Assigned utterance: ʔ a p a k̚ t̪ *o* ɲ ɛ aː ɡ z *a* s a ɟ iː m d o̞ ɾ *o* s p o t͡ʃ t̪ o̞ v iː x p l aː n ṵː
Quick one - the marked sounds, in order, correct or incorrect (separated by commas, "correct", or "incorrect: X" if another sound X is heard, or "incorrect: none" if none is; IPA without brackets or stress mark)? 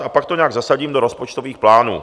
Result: correct, correct, correct